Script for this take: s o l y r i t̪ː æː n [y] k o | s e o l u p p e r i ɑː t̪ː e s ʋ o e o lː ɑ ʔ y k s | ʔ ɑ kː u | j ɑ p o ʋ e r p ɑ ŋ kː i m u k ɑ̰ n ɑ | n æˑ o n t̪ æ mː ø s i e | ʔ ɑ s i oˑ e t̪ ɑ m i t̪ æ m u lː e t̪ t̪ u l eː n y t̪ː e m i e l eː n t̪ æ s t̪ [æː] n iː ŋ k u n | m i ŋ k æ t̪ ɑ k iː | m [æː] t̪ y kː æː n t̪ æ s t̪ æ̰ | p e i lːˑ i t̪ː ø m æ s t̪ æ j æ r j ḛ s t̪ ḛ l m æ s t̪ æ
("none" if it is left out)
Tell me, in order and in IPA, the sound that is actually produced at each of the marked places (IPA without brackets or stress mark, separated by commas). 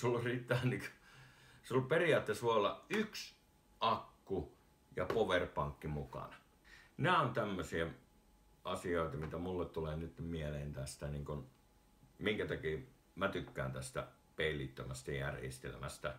i, æ, æ